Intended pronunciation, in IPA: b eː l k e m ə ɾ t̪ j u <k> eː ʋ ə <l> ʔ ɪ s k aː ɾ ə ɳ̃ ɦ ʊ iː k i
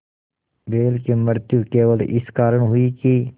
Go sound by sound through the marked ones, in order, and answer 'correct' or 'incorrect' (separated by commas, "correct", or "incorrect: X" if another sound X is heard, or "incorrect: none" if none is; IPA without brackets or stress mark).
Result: correct, correct